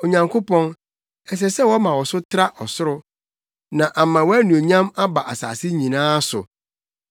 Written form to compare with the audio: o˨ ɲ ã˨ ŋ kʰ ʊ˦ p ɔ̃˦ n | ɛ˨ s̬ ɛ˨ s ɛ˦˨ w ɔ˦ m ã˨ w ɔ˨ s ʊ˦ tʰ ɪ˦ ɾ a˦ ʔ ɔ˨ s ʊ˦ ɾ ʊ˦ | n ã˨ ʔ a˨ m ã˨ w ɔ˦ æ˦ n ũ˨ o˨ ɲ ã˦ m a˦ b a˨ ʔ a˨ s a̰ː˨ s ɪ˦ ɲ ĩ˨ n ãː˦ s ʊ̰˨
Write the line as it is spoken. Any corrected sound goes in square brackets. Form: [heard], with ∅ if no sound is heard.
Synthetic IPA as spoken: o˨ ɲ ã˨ ŋ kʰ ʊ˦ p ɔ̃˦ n | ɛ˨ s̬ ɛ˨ s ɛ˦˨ w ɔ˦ m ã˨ w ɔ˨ s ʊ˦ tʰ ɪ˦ ɾ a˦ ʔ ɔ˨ s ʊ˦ ɾ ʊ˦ | n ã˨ ʔ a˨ m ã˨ w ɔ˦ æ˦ n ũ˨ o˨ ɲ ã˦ m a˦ b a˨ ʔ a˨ s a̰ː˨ s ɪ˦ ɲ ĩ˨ n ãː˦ s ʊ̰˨